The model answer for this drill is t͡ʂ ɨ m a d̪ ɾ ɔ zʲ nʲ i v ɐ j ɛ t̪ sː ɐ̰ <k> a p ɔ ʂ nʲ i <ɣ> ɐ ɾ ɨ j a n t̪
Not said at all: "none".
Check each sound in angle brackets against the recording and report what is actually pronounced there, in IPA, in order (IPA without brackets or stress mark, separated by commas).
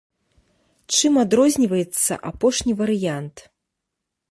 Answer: ʔ, v